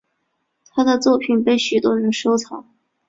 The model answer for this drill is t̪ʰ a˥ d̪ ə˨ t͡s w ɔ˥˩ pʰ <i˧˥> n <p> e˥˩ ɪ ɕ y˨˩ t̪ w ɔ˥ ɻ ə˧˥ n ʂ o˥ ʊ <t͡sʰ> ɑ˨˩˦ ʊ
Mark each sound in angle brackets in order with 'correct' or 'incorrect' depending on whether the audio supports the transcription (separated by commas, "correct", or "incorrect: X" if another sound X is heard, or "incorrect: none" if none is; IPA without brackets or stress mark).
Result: incorrect: i˨˩, correct, correct